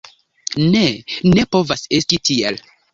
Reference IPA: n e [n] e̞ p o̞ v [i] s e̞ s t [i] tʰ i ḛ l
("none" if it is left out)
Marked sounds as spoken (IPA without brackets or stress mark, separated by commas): n, a, i